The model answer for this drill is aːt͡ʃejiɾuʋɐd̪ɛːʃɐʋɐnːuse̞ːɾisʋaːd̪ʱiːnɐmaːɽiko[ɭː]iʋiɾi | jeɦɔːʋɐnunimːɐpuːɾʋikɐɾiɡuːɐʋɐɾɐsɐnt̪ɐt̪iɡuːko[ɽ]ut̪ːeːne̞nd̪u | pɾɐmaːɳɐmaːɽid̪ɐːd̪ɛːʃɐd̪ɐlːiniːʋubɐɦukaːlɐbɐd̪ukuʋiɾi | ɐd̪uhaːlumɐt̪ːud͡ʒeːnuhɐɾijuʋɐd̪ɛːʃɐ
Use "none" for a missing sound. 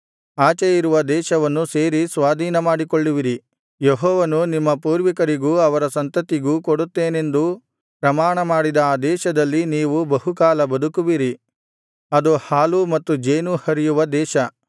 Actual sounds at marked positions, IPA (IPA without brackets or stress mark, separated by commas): ɭː, ɽ